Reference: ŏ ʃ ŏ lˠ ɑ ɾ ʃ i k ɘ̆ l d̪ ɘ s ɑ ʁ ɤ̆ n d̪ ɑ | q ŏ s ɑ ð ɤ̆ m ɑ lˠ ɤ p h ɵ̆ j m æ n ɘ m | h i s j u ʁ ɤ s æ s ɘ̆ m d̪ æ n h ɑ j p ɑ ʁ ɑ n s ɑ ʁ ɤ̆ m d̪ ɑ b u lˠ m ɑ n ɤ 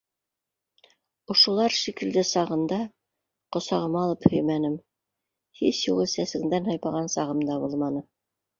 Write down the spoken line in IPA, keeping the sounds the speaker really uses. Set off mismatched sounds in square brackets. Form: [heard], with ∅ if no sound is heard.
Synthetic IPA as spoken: ŏ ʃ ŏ lˠ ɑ ɾ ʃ i k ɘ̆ l d̪ ɘ s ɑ ʁ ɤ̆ n d̪ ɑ | q ŏ s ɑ [ʁ] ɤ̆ m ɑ lˠ ɤ p h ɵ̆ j m æ n ɘ m | h i s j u ʁ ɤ s æ s ɘ̆ [ŋ] d̪ æ n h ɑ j p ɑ ʁ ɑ n s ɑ ʁ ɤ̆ m d̪ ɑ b u lˠ m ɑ n ɤ